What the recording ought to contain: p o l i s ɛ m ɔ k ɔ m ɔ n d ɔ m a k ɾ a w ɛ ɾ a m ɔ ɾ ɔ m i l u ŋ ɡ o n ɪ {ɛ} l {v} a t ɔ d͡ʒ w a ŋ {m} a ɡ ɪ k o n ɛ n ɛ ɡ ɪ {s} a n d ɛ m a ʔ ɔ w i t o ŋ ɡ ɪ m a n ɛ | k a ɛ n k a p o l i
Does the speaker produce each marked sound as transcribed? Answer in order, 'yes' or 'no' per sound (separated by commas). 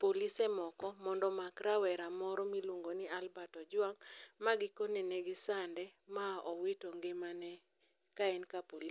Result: no, no, yes, yes